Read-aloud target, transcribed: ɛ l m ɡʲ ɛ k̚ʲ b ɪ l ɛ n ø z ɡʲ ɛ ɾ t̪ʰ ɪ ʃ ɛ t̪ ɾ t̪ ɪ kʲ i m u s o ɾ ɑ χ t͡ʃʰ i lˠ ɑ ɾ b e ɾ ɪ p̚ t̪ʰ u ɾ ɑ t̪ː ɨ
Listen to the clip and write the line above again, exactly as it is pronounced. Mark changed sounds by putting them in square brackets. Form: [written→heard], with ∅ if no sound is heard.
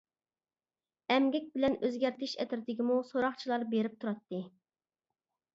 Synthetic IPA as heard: ɛ [l→∅] m ɡʲ ɛ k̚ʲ b ɪ l ɛ n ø z ɡʲ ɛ ɾ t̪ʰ ɪ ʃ ɛ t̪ ɾ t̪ ɪ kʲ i m u s o ɾ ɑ χ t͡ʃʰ i lˠ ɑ ɾ b e ɾ ɪ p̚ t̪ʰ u ɾ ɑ t̪ː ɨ